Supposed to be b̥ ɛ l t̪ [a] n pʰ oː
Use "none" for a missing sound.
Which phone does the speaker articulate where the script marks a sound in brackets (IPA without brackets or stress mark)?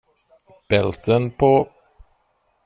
ə